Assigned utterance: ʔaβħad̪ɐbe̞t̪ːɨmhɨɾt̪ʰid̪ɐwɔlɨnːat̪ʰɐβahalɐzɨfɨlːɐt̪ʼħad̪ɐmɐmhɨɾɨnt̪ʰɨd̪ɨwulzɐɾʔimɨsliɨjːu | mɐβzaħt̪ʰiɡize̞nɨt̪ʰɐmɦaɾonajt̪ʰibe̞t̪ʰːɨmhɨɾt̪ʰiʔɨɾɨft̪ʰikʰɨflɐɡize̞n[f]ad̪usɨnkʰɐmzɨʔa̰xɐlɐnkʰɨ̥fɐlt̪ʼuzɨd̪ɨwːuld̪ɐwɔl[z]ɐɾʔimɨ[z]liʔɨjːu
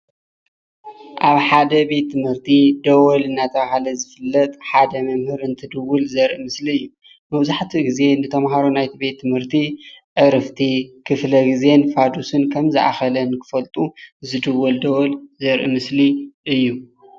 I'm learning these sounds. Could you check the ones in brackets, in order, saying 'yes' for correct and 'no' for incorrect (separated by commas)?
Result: yes, yes, no